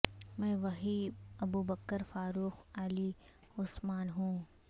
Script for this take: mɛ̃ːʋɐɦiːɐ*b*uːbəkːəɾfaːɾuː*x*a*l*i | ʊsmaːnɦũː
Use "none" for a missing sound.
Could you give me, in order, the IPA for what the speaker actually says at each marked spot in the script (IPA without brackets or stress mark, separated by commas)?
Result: b, x, l